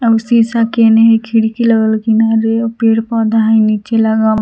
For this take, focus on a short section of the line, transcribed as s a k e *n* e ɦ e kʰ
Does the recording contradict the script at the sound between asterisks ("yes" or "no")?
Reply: no